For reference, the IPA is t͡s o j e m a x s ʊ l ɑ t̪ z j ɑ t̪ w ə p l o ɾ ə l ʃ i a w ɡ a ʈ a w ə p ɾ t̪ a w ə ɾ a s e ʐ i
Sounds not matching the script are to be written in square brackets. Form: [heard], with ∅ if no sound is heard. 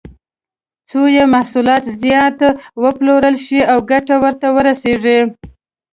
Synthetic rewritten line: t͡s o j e m a [h] s [u] l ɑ t̪ z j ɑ t̪ w ə p l o ɾ ə l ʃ i a w ɡ a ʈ a w ə [∅] ɾ t̪ a w ə ɾ a s e ʐ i